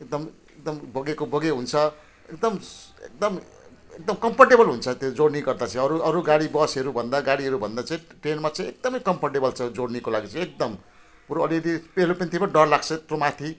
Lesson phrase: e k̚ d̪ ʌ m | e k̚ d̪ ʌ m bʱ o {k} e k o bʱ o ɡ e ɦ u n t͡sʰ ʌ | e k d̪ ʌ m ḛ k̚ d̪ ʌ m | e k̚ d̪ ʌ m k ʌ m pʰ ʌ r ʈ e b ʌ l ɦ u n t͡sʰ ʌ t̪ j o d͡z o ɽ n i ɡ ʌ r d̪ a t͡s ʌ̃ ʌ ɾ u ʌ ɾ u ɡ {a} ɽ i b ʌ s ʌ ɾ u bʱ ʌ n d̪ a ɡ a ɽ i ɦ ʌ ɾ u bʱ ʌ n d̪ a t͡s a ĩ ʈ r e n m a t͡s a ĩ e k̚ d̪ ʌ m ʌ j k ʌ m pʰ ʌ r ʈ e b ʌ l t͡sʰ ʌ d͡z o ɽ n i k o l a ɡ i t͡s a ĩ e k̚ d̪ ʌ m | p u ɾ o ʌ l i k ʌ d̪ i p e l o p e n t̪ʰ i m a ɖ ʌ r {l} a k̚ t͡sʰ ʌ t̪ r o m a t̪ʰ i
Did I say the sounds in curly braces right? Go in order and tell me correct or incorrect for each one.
incorrect, correct, correct

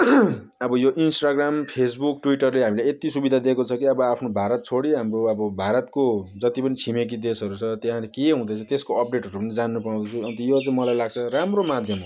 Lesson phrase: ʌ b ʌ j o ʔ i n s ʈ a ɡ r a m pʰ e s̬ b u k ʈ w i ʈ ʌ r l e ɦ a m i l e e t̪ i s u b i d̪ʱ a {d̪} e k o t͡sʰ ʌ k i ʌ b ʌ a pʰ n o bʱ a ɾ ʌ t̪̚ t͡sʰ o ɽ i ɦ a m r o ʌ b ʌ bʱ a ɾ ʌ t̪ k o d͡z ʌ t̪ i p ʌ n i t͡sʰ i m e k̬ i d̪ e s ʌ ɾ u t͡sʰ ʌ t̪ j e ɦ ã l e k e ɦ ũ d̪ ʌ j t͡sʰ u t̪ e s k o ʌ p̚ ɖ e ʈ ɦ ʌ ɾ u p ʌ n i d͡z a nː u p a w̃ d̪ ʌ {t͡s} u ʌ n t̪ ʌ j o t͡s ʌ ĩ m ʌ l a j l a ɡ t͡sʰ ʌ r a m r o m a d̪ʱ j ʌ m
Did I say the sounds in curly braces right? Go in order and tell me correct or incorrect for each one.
correct, incorrect

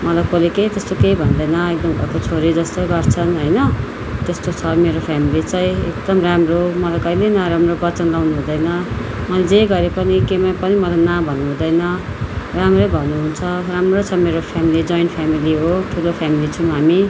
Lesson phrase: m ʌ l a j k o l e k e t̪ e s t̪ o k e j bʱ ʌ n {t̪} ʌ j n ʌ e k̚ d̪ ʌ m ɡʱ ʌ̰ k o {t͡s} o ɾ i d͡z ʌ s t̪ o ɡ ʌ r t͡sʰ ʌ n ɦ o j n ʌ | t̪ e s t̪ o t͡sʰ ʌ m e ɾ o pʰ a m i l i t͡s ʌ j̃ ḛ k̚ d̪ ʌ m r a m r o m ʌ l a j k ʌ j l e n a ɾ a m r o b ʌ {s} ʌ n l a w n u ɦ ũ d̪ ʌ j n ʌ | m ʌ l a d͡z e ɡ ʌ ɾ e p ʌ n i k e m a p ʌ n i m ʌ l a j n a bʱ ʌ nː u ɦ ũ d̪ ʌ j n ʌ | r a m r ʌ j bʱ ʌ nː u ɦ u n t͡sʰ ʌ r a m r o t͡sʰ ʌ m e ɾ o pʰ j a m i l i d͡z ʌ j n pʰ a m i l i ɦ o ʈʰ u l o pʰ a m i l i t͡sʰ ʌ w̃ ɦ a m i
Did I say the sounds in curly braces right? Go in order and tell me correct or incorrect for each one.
incorrect, incorrect, incorrect

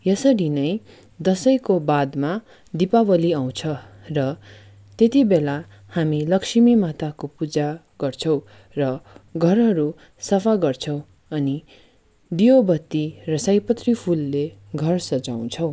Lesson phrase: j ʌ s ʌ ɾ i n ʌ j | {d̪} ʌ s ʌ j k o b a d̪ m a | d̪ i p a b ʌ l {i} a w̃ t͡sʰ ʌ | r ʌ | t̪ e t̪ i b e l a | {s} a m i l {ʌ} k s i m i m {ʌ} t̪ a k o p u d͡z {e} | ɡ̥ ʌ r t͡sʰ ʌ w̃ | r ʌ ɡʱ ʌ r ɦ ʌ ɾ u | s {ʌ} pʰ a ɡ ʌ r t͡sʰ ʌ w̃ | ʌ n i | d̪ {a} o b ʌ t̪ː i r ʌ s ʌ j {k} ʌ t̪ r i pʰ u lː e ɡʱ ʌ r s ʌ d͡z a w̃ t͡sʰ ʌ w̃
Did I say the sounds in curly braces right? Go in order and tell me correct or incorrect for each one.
correct, correct, incorrect, correct, incorrect, incorrect, correct, incorrect, incorrect

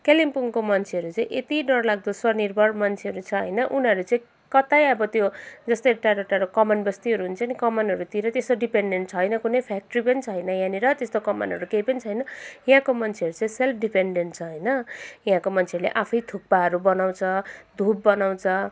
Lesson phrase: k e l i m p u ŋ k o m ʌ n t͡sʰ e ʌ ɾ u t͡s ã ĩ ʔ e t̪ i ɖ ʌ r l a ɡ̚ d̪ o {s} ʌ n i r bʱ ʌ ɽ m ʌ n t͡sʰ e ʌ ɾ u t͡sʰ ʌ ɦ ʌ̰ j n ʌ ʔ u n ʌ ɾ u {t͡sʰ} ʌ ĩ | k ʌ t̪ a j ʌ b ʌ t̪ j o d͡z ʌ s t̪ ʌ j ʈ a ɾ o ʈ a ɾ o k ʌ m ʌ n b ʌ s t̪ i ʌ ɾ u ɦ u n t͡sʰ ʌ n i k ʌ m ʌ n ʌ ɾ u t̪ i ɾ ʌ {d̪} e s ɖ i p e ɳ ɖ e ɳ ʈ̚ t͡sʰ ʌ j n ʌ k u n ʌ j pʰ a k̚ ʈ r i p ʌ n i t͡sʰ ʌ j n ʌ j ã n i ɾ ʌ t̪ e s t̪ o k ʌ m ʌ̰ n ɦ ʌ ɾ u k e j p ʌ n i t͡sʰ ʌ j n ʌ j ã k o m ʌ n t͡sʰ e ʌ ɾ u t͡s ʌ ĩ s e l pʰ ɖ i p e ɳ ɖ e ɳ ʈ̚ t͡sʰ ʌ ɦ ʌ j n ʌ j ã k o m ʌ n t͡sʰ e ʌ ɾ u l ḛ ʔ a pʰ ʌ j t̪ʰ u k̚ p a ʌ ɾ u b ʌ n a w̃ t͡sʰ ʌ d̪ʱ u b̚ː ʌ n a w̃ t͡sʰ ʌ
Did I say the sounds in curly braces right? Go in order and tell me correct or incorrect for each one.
correct, incorrect, incorrect

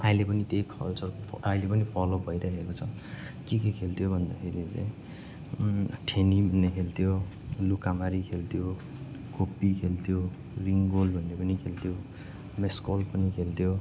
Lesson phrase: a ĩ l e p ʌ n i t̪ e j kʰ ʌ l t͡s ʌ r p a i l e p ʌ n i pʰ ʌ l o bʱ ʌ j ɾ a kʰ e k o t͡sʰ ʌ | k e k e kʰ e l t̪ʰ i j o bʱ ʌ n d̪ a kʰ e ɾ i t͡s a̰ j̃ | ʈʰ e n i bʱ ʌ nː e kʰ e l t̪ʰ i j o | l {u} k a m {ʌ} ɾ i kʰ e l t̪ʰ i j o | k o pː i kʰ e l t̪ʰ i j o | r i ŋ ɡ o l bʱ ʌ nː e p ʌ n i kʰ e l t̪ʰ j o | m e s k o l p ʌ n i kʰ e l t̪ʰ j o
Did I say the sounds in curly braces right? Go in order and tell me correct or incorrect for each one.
correct, incorrect

